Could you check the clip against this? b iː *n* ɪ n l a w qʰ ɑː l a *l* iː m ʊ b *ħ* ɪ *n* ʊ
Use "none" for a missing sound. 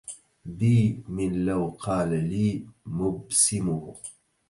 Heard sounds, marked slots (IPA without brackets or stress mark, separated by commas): m, l, s, m